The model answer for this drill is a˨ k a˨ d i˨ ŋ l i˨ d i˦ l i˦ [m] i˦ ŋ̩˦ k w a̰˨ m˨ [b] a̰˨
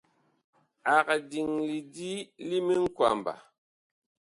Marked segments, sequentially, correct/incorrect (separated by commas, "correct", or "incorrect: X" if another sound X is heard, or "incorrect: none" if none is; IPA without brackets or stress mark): correct, correct